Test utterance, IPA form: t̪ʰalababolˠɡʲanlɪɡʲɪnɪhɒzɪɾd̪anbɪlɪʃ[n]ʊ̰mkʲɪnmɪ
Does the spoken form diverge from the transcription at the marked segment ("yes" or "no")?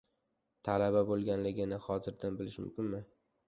yes